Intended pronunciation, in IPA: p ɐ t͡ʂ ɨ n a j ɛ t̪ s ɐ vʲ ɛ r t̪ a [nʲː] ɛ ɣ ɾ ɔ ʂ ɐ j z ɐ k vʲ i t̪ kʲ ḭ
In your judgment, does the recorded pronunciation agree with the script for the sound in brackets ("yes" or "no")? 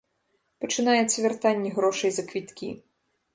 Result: yes